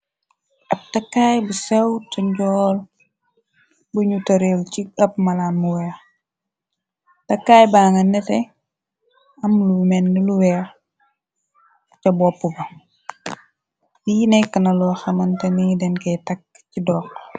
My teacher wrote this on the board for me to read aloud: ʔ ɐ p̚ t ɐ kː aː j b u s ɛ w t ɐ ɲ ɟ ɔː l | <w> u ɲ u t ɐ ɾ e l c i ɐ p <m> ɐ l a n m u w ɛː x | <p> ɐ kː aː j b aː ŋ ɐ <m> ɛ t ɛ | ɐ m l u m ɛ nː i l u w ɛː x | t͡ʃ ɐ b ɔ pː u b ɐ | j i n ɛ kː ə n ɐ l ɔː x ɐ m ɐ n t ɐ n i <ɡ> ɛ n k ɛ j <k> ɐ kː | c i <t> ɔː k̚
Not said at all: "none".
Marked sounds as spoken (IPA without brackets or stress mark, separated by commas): b, m, t, n, d, t, d